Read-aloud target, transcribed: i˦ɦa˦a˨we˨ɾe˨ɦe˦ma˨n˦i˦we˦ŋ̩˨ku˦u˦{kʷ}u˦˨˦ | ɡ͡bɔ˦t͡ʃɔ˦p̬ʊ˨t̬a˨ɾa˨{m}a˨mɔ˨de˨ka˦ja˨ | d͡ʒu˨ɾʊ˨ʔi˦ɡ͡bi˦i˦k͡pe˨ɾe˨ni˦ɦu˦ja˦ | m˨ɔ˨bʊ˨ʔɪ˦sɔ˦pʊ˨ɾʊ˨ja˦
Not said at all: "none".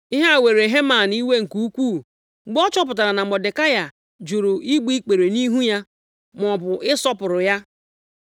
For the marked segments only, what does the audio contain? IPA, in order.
kʷ, n

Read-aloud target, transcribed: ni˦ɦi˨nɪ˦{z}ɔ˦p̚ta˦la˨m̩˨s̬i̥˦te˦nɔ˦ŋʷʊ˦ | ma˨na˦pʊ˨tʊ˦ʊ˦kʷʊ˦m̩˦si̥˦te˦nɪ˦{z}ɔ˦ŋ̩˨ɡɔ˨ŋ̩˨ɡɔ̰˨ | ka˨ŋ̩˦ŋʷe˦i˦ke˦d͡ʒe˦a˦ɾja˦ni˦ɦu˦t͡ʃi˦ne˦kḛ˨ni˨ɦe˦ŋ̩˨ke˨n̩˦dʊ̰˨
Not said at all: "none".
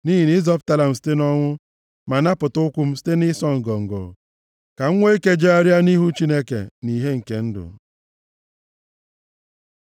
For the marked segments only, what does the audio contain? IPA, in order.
z, s

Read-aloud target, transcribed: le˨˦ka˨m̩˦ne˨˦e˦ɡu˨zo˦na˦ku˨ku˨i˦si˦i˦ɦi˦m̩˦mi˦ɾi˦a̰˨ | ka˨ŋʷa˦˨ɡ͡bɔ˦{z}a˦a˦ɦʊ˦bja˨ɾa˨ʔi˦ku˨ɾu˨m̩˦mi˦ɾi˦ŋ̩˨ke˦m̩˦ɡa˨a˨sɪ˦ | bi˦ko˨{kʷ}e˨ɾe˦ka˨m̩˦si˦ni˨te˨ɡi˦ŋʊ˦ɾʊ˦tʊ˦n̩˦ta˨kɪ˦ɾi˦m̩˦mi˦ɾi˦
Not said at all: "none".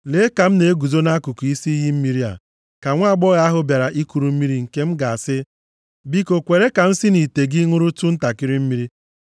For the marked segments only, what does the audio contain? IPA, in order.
ɣ, kʷ

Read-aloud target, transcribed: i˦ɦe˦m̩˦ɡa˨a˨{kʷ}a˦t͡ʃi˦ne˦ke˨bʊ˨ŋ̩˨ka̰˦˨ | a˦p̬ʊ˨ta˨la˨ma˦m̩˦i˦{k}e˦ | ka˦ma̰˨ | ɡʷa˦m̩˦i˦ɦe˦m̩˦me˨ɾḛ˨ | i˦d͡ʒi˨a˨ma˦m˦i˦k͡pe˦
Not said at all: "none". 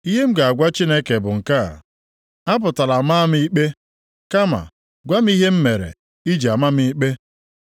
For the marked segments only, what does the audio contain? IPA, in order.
ɡʷ, k͡p

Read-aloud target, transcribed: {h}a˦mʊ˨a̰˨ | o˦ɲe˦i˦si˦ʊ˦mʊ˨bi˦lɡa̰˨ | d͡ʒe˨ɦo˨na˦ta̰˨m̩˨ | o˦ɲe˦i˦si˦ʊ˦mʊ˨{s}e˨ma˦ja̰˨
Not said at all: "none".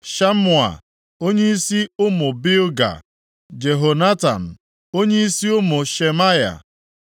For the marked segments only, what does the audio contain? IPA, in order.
ʃ, ʃ

